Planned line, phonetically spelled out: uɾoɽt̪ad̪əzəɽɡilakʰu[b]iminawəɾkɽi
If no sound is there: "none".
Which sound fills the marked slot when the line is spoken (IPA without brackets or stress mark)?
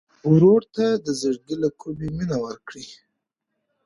b